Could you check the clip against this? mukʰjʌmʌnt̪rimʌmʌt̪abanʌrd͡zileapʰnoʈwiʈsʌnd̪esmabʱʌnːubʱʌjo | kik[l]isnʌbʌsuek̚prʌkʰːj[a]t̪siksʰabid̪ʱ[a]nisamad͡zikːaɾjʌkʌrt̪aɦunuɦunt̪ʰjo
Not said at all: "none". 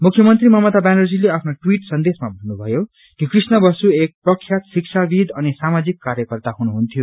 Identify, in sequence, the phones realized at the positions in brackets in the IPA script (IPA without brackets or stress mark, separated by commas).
r, a, ʌ